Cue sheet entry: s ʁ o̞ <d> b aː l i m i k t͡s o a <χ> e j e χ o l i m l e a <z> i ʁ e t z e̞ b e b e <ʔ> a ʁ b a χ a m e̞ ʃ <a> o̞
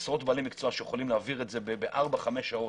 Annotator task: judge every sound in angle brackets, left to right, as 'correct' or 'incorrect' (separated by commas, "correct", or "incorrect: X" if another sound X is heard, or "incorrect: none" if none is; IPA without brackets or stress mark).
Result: incorrect: t, incorrect: ʃ, incorrect: v, correct, correct